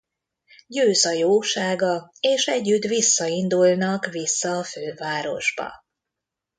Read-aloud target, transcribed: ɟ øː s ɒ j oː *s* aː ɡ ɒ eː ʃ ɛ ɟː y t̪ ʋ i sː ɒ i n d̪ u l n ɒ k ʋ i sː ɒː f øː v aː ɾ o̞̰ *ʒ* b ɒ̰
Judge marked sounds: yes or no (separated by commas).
no, yes